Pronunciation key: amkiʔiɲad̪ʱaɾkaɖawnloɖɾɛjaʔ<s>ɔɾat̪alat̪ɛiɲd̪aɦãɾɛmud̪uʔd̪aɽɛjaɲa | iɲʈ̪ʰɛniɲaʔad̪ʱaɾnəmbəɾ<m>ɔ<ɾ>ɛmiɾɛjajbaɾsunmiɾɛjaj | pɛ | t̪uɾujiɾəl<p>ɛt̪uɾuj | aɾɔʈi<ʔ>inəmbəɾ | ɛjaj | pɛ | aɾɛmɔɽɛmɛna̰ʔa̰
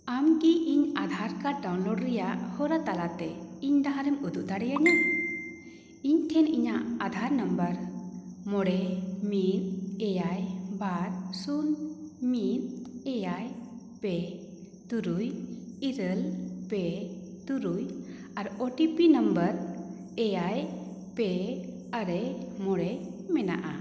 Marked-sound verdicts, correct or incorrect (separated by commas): incorrect, correct, incorrect, correct, incorrect